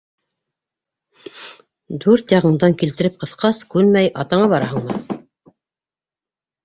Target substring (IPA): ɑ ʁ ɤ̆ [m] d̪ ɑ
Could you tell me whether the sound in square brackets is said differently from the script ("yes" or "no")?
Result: yes